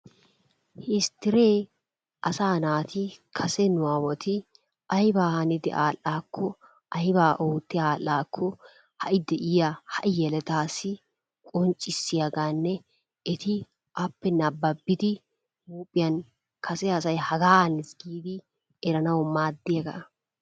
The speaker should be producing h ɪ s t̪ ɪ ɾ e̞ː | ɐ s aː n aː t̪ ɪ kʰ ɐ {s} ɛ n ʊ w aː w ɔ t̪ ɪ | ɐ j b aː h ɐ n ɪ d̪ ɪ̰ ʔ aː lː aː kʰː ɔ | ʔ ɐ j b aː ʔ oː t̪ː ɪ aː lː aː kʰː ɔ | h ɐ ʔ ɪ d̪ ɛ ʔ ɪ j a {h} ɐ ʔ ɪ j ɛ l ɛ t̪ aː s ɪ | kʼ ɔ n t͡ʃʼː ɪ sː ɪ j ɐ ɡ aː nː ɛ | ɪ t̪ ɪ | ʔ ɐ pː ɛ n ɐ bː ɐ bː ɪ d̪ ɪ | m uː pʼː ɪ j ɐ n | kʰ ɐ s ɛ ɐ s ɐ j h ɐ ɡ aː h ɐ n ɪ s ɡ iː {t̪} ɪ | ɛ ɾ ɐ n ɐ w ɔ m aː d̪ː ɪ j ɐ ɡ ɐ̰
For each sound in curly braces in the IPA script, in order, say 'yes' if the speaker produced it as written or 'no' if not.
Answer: yes, yes, no

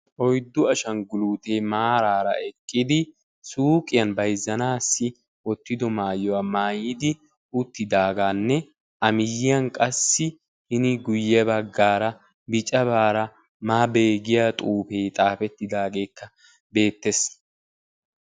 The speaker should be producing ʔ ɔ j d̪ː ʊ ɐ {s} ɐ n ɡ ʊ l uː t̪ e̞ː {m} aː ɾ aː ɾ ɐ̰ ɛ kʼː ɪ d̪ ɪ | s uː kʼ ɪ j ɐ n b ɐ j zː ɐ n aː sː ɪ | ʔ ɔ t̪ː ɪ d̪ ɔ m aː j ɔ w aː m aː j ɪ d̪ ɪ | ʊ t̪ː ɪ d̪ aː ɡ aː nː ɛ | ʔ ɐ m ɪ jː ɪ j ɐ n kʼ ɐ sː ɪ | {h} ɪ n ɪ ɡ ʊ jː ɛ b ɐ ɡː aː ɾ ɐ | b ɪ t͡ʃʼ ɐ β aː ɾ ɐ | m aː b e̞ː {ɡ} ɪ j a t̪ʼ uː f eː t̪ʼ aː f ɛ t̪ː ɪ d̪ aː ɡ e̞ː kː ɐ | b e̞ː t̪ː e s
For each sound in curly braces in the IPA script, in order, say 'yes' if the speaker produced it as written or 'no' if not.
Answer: no, yes, yes, yes

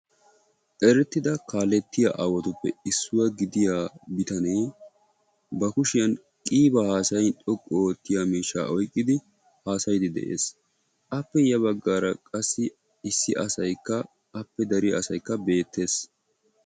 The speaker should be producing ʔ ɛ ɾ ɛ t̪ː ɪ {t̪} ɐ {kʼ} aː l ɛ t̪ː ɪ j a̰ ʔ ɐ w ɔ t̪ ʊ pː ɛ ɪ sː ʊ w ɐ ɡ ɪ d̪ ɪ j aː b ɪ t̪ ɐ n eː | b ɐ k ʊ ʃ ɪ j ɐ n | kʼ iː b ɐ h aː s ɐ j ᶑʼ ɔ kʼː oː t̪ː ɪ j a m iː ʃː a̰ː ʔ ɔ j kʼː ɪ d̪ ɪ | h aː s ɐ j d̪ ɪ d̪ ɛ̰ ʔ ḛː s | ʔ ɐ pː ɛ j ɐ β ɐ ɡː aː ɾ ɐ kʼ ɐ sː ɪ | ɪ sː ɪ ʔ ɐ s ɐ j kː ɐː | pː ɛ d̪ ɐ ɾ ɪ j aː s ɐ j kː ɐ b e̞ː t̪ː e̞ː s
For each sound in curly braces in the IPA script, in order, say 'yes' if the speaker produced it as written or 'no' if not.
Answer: no, no

